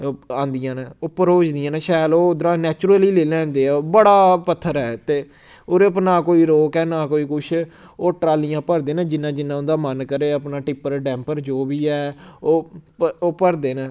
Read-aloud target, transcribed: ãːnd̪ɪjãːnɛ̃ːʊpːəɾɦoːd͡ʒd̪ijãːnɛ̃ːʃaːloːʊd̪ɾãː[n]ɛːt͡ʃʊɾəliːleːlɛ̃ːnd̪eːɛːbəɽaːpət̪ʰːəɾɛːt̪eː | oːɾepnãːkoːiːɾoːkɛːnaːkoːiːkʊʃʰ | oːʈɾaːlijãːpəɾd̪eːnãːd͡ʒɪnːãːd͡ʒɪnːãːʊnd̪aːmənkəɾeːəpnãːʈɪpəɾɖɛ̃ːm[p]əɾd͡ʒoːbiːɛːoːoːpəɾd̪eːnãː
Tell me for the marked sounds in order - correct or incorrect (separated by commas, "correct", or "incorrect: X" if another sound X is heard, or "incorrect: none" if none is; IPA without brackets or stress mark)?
correct, correct